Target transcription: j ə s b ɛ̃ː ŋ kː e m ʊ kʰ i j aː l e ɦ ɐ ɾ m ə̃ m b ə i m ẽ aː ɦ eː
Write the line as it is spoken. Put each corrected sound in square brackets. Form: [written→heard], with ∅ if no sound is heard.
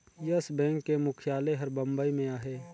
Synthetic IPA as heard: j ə s b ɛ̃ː ŋ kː e m ʊ kʰ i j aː l e ɦ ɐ ɾ [m→b] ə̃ m b ə i m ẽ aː ɦ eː

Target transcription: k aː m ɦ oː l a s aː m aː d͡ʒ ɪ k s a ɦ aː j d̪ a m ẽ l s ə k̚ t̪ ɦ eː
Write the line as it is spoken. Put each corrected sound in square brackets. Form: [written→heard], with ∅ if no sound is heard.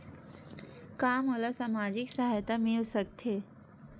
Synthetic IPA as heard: k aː m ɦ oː l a s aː m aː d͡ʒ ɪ k s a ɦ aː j [d̪→t̪] a m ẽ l s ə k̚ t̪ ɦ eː

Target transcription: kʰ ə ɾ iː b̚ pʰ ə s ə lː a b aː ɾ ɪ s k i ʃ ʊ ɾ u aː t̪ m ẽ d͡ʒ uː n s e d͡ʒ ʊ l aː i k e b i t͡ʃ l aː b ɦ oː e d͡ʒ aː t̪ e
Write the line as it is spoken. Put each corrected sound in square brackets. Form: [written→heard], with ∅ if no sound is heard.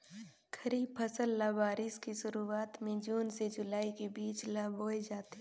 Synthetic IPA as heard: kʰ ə ɾ iː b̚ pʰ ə s ə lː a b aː ɾ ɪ s k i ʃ ʊ ɾ u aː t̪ m ẽ d͡ʒ uː n s e d͡ʒ ʊ l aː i k e b [i→iː] t͡ʃ l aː b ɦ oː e d͡ʒ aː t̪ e

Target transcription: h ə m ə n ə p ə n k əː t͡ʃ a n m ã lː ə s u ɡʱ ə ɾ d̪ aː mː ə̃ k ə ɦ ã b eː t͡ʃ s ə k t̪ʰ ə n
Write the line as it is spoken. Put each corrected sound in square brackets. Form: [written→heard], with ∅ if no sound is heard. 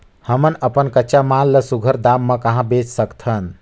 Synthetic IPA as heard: h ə m ə n ə p ə n k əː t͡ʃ a [n→∅] m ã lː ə s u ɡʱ ə ɾ d̪ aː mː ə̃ k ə ɦ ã b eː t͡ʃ s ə k t̪ʰ ə n

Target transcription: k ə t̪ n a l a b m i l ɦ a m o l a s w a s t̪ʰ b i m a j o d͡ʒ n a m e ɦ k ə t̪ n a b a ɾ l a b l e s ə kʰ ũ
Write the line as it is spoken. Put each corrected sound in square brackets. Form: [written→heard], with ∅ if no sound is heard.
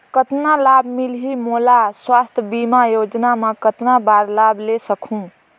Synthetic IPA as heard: k ə t̪ n a l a b m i l ɦ [a→i] m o l a s w a s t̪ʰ b i m a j o d͡ʒ n a m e [ɦ→∅] k ə t̪ n a b a ɾ l a b l e s ə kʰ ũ

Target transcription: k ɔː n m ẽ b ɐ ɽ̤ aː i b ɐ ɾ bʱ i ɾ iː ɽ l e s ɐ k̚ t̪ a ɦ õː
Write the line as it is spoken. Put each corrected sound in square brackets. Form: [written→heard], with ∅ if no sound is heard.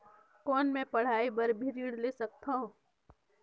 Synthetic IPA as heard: k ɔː n m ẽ [b→p] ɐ ɽ̤ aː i b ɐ ɾ bʱ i ɾ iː ɽ l e s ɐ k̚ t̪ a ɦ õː

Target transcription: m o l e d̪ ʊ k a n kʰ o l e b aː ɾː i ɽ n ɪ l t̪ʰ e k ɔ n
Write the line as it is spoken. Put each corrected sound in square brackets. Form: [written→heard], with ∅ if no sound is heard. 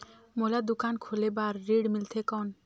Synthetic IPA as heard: m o l [e→a] d̪ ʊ k a n kʰ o l e b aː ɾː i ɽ [n→m] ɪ l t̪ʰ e k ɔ n

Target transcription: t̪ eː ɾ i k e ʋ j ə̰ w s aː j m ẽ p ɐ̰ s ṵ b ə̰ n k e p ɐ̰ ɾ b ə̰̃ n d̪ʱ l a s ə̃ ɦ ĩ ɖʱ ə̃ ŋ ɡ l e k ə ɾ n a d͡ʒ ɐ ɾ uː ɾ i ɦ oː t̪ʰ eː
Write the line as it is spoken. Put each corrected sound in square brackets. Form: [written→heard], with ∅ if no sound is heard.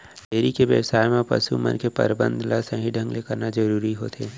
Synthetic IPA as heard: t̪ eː ɾ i k e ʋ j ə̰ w s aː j m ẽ p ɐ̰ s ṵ [b→m] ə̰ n k e p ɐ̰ ɾ b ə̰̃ n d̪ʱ l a s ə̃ ɦ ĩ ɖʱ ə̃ ŋ ɡ l e k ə ɾ n a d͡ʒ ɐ ɾ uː ɾ i ɦ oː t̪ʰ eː

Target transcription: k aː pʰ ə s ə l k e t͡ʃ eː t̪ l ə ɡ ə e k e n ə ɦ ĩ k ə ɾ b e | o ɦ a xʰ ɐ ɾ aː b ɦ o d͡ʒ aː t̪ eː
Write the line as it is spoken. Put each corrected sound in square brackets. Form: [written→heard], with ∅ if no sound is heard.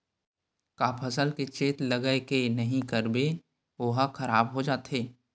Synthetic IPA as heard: k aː pʰ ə s ə l k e t͡ʃ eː t̪ l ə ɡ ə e k e n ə ɦ ĩ k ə ɾ b e | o ɦ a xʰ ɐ ɾ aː b ɦ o d͡ʒ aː t̪ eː

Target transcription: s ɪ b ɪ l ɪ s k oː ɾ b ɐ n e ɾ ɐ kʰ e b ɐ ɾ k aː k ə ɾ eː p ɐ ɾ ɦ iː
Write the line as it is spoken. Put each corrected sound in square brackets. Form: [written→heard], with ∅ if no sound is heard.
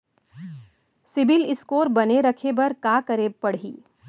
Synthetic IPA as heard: s ɪ b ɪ l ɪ s k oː ɾ b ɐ n e ɾ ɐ kʰ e b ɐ ɾ k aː k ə ɾ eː p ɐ [ɾ→ɽ] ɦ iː

